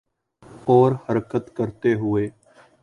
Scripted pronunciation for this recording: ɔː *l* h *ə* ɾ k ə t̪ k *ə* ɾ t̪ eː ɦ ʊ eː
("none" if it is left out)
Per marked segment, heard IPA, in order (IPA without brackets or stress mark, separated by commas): ɾ, ə, ə